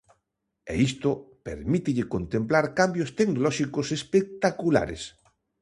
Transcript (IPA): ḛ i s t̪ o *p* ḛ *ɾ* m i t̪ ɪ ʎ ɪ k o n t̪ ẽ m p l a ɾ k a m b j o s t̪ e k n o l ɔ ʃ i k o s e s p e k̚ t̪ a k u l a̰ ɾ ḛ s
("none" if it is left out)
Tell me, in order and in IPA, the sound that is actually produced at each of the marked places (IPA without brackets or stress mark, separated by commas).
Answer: p, ɾ